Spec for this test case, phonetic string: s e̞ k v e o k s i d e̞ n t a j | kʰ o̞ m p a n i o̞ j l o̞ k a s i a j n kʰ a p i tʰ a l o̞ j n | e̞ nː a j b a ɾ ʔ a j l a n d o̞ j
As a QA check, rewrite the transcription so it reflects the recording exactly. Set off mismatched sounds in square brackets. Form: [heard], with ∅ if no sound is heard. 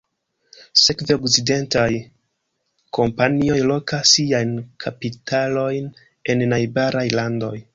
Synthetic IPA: s e̞ k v e o k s i d e̞ n t a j | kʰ o̞ m p a n i o̞ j l o̞ k a s i a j n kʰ a p i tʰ a l o̞ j n | e̞ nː a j b a ɾ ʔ a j l a n d o̞ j

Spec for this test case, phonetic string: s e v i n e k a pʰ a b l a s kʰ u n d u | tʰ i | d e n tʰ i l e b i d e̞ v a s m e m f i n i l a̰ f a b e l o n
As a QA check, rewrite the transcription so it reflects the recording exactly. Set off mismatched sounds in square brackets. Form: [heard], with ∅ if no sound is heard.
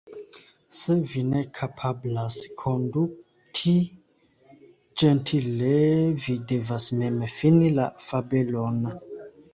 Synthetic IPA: s e v i n e [kʰ] a pʰ a b l a s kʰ [o] n d u | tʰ i | [d͡ʒ] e n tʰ i l e [v] i d e̞ v a s m e m f i n i l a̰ f a b e l o n

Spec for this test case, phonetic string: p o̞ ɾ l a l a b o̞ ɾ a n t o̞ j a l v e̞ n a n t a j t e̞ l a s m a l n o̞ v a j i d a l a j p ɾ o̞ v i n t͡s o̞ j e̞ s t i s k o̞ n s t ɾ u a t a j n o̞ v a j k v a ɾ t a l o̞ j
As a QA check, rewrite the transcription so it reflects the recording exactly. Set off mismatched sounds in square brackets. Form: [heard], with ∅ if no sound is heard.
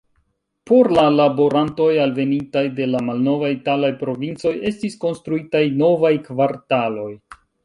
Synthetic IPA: p o̞ ɾ l a l a b o̞ ɾ a n t o̞ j a l v e̞ n [i] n t a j [d] e̞ l a [∅] m a l n o̞ v a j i [t] a l a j p ɾ o̞ v i n t͡s o̞ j e̞ s t i s k o̞ n s t ɾ u [i] t a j n o̞ v a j k v a ɾ t a l o̞ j

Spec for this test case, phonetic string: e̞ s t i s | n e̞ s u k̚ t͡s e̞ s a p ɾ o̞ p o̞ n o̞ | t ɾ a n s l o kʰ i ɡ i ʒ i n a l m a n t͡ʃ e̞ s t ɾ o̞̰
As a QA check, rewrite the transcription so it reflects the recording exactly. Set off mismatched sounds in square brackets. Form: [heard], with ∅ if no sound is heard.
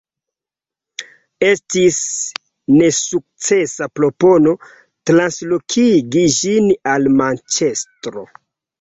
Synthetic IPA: e̞ s t i s | n e̞ s u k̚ t͡s e̞ s a p ɾ o̞ p o̞ n o̞ | t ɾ a n s l o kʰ i ɡ i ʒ i n a l m a n t͡ʃ e̞ s t ɾ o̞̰

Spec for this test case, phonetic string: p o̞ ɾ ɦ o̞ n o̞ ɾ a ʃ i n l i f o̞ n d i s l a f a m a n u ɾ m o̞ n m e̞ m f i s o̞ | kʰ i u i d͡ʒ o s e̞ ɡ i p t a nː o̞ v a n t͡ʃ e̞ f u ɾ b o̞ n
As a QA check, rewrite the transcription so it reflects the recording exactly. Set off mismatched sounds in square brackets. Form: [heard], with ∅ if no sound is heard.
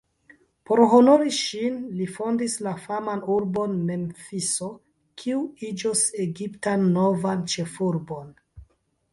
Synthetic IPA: p o̞ ɾ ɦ o̞ n o̞ ɾ [i] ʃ i n l i f o̞ n d i s l a f a m a n u ɾ [b] o̞ n m e̞ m f i s o̞ | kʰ i u i d͡ʒ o s e̞ ɡ i p t a nː o̞ v a n t͡ʃ e̞ f u ɾ b o̞ n

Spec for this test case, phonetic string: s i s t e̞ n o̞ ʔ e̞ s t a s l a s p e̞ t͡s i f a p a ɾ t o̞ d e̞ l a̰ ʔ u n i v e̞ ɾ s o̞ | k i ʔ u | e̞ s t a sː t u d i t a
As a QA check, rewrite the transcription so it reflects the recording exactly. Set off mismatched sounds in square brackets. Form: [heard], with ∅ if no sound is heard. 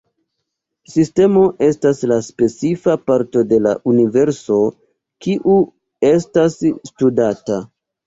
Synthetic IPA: s i s t e̞ [m] o̞ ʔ e̞ s t a s l a s p e̞ t͡s i f a p a ɾ t o̞ d e̞ l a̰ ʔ u n i v e̞ ɾ s o̞ | k i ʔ u | e̞ s t a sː t u d [a] t a

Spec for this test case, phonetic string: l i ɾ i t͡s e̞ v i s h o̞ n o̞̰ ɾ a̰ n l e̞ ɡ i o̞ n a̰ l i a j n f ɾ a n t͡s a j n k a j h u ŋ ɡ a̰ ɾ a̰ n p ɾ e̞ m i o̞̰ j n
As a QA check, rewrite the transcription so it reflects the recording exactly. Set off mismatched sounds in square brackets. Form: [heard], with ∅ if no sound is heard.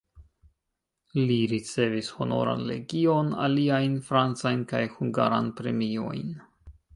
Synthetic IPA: l i ɾ i t͡s e̞ v i s h o̞ n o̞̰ ɾ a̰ n l e̞ ɡ i o̞ n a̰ l i a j n f ɾ a n t͡s a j n k a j h u ŋ ɡ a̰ ɾ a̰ n p ɾ e̞ m i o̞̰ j n

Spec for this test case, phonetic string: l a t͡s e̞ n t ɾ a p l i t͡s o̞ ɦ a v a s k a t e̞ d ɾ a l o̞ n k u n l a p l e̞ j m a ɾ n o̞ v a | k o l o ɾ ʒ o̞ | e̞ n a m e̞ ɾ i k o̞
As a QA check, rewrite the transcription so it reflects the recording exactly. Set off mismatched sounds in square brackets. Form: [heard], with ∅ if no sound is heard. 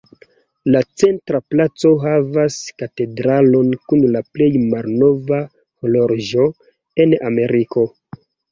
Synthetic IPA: l a t͡s e̞ n t ɾ a p l [a] t͡s o̞ ɦ a v a s k a t e̞ d ɾ a l o̞ n k u n l a p l e̞ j m a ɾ n o̞ v a | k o l o ɾ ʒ o̞ | e̞ n a m e̞ ɾ i k o̞

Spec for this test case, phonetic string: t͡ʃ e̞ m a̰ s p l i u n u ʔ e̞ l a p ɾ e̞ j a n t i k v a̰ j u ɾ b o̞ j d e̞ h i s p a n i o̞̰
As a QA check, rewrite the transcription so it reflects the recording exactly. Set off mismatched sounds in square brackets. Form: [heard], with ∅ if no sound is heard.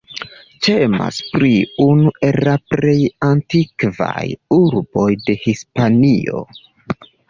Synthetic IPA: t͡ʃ e̞ m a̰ s p [ɾ] i u n u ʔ e̞ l a p ɾ e̞ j a n t i k v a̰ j u ɾ b o̞ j d e̞ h i s p a n i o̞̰

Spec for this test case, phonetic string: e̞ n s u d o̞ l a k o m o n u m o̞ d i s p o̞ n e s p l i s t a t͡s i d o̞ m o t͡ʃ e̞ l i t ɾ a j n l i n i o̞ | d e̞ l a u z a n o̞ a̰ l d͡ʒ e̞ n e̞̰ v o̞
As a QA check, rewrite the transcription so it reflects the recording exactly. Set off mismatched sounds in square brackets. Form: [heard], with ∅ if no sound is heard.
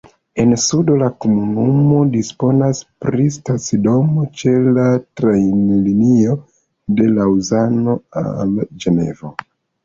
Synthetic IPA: e̞ n s u d o̞ l a k o m [u] n u m o̞ d i s p o̞ n [a] s p [ɾ] i s t a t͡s i d o̞ m o t͡ʃ e̞ l [a] t ɾ a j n l i n i o̞ | d e̞ l a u z a n o̞ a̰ l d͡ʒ e̞ n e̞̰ v o̞

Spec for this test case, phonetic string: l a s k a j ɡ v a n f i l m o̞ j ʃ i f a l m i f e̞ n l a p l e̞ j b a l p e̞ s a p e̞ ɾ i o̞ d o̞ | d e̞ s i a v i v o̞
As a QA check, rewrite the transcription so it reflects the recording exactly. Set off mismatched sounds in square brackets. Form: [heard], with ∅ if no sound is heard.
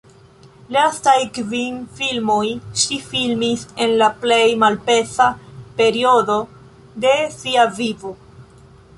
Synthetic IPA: l a s [t] a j [k] v [i] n f i l m o̞ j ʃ i f [i] l m i [s] e̞ n l a p l e̞ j [m] a l p e̞ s a p e̞ ɾ i o̞ d o̞ | d e̞ s i a v i v o̞

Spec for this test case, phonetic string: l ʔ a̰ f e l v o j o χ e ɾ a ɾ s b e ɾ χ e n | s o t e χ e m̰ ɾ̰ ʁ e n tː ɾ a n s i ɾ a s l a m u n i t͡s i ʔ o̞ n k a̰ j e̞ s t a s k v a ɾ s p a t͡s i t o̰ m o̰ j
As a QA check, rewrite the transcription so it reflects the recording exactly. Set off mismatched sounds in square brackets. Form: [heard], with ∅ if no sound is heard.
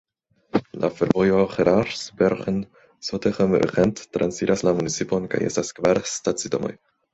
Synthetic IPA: l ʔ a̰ f e [ɾ] v o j o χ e ɾ a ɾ s b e ɾ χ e n | s o t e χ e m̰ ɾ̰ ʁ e n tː ɾ a n s i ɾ a s l a m u n i t͡s i [p] o̞ n k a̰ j e̞ s t a s k v a ɾ s [t] a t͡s i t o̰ m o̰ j

